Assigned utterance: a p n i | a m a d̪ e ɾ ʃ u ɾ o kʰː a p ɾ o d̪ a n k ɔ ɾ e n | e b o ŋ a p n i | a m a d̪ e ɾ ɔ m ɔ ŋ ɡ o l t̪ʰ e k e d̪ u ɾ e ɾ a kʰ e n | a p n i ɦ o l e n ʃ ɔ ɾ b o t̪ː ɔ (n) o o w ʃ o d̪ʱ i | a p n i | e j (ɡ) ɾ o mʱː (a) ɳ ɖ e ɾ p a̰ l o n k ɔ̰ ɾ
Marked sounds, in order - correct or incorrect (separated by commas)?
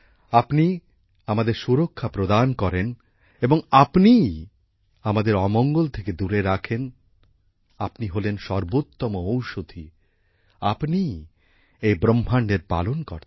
incorrect, incorrect, correct